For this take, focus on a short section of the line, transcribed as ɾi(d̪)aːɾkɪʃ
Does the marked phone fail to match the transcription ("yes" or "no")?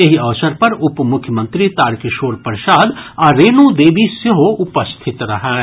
yes